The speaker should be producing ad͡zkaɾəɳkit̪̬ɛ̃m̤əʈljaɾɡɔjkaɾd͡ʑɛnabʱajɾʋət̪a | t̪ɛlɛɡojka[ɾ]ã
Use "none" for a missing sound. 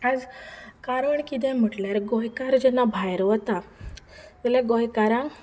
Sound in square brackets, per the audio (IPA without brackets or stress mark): ɾ